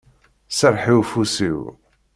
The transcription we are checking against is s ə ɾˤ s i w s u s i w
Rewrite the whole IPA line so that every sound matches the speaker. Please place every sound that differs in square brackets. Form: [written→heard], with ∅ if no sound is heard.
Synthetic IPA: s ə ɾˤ [s→ħ] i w [s→f] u s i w